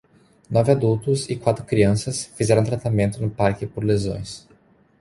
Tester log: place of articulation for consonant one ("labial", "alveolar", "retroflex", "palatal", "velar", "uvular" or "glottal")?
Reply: alveolar